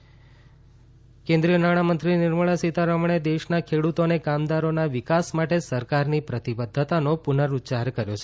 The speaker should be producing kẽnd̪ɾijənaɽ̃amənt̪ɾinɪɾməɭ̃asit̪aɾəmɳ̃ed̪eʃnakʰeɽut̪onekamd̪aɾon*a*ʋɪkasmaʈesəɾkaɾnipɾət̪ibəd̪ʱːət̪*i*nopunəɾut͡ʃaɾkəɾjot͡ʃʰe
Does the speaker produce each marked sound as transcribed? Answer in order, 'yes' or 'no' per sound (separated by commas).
yes, no